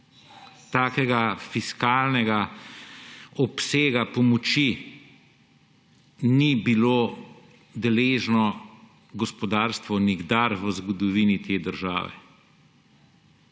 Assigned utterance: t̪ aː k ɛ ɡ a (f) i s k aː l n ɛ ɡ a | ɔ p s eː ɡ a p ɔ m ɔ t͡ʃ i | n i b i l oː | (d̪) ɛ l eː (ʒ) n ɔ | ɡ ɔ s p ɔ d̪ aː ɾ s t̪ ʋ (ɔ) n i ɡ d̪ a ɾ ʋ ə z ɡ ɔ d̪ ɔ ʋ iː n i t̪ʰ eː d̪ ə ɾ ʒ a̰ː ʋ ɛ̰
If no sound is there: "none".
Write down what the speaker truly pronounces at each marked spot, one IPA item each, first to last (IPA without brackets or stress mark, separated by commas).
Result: f, d̪, ʒ, ɔ